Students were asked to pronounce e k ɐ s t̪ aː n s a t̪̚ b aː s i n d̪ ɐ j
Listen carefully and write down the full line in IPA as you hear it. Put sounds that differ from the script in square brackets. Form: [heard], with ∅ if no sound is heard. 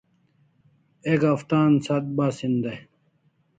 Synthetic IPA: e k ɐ [f] t̪ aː n s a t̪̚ b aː s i n d̪ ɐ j